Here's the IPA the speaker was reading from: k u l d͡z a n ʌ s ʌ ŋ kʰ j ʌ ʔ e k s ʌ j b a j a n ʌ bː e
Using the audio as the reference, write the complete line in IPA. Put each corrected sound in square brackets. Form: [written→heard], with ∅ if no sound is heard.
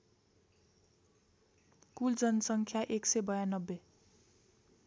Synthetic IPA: k u l d͡z [a→ʌ] n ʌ s ʌ ŋ kʰ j [ʌ→a] ʔ e k s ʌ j b [a→ʌ] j a n ʌ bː e